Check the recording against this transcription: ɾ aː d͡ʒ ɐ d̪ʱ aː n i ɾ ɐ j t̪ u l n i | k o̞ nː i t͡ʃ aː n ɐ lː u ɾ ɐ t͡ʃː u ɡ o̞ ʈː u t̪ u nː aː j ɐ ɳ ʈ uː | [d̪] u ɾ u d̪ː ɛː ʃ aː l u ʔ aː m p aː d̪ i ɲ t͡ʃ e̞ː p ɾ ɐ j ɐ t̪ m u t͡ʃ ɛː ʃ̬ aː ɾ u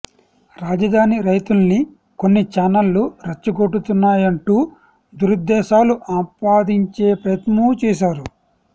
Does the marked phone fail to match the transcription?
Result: no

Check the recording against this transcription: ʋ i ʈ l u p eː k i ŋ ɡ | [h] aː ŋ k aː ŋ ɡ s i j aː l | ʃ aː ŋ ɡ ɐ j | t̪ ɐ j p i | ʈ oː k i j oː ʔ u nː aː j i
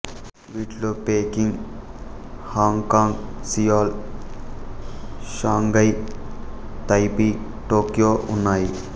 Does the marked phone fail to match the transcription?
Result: no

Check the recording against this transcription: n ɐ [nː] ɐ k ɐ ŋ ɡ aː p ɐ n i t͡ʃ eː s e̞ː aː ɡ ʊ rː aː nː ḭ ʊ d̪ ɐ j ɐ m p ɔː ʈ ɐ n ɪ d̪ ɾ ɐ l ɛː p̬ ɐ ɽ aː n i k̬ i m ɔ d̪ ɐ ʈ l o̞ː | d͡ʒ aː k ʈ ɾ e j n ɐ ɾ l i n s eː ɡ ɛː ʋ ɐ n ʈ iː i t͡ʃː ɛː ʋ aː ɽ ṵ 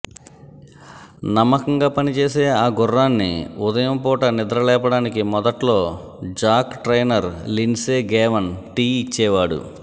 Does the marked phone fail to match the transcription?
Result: yes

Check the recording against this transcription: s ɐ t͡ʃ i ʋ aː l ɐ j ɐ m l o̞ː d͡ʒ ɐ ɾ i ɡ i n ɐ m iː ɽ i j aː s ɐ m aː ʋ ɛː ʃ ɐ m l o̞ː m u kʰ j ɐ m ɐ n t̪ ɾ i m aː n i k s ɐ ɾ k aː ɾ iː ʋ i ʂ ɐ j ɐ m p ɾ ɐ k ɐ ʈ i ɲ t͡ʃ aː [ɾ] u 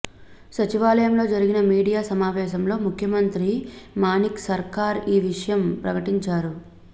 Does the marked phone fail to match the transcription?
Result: no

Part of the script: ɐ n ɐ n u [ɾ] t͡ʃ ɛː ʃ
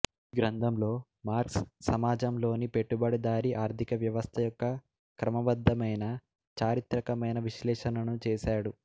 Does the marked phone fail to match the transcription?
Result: yes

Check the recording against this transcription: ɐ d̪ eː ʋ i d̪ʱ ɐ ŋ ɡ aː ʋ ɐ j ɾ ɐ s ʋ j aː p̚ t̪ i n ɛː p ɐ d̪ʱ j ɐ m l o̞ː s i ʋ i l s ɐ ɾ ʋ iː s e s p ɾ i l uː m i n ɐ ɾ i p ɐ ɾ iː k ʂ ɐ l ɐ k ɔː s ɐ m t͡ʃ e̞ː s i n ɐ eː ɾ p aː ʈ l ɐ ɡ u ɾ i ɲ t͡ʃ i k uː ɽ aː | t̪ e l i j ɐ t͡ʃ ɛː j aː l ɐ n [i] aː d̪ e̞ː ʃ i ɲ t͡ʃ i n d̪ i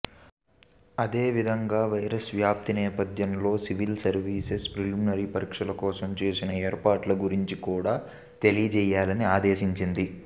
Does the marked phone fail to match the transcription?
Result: no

